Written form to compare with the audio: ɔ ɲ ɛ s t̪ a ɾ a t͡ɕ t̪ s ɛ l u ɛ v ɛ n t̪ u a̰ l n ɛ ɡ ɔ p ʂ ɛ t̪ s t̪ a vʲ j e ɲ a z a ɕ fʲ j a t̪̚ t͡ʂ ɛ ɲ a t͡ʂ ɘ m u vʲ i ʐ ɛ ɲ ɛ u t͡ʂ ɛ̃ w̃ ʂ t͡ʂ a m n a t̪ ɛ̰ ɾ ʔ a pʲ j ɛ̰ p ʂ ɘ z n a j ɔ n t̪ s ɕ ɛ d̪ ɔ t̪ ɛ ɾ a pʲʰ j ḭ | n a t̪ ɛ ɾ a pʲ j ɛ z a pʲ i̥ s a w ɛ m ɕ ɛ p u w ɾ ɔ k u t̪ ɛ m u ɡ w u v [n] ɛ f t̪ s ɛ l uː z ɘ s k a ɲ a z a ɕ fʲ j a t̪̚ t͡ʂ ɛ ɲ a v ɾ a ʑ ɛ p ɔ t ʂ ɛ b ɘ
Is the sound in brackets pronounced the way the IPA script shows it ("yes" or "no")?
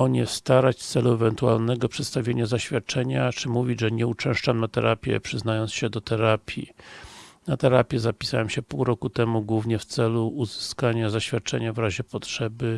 no